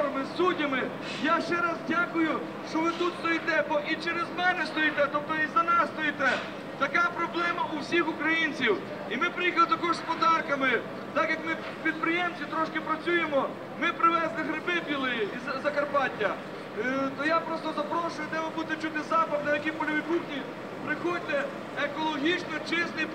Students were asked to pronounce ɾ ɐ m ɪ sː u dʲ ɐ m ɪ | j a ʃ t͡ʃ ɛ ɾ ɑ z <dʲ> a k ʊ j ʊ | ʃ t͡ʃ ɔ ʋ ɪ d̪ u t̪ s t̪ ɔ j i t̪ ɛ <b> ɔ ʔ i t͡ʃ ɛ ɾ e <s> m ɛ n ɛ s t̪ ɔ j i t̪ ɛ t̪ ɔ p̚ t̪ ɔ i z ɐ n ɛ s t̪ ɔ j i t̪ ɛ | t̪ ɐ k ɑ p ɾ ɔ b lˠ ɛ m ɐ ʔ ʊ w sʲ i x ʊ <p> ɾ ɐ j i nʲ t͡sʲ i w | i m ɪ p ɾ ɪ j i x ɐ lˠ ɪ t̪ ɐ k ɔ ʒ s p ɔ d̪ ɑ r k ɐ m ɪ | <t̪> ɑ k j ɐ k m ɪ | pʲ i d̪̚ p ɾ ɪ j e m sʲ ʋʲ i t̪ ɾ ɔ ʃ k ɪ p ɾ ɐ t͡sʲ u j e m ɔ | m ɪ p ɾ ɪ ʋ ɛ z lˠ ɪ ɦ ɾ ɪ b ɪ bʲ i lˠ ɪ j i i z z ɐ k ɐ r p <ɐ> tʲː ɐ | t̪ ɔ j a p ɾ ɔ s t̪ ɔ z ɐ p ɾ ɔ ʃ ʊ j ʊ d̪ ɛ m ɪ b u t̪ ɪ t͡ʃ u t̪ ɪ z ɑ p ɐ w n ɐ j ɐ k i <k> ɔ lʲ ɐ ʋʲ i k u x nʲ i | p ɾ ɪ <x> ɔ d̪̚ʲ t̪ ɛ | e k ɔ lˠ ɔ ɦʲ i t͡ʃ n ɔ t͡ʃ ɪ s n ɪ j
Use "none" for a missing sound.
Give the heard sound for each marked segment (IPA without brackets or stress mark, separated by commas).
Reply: dʲ, b, z, k, t̪, ɑ, p, x